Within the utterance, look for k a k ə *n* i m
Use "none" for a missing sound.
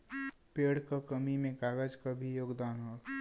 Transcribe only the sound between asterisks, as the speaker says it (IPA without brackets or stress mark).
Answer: m